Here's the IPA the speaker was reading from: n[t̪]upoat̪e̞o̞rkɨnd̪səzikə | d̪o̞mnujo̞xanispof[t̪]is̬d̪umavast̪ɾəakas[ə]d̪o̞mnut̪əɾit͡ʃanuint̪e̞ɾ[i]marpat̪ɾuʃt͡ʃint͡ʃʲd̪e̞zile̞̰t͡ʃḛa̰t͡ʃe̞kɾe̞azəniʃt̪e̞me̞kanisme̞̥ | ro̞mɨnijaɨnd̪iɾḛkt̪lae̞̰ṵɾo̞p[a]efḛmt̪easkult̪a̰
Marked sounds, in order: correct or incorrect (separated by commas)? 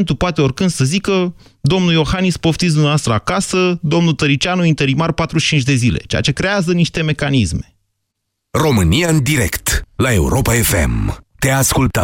correct, correct, correct, correct, correct